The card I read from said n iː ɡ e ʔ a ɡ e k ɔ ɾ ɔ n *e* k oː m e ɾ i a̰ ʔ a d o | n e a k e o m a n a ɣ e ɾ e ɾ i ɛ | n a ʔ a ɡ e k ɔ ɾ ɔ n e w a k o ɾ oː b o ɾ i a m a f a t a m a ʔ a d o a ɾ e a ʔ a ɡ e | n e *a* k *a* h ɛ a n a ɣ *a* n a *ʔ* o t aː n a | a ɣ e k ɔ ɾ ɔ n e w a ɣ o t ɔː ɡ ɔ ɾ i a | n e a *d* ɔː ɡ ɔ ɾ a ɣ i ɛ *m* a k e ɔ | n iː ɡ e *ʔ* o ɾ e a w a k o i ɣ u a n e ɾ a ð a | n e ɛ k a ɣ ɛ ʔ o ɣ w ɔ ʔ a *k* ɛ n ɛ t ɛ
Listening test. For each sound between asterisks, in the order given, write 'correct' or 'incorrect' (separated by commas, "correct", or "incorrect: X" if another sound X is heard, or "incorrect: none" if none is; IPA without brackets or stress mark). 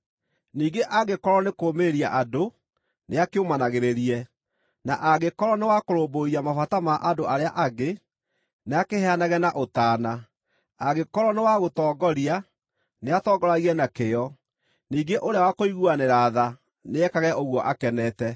correct, correct, incorrect: e, incorrect: ɛ, correct, incorrect: t, incorrect: n, correct, correct